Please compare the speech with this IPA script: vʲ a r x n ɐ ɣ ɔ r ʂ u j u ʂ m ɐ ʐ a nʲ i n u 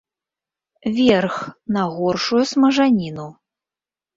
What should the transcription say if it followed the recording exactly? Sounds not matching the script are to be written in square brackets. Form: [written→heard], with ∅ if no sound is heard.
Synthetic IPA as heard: vʲ [a→ɛ] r x n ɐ ɣ ɔ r ʂ u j u [ʂ→s] m ɐ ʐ a nʲ i n u